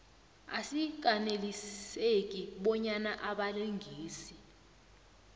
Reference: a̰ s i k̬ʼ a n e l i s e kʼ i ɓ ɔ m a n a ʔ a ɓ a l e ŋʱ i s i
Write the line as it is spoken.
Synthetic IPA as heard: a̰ s i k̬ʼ a n e l i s e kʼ i ɓ ɔ ɲ a n a ʔ a ɓ a l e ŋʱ iː s i